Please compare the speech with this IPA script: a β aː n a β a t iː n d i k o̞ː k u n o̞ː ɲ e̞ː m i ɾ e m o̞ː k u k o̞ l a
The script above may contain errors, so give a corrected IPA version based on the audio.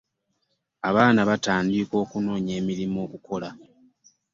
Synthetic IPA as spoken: a β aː n a β a t aː n d i k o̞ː k u n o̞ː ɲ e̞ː m i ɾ i m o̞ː k u k o̞ l a